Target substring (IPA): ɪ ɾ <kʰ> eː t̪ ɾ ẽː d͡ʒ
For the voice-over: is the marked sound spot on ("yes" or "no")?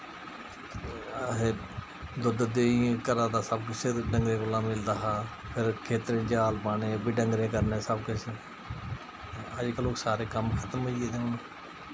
yes